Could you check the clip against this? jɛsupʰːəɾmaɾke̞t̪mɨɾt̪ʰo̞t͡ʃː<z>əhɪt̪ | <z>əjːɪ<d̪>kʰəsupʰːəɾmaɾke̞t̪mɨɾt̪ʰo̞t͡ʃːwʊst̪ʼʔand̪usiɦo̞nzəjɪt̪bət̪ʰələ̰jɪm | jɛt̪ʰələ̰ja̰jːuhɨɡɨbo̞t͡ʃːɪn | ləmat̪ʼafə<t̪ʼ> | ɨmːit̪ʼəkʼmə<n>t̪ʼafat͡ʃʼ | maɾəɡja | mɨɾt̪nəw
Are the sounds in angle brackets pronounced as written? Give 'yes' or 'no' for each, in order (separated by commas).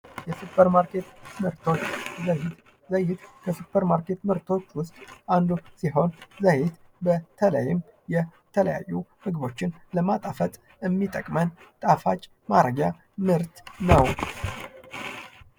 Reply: yes, yes, no, yes, yes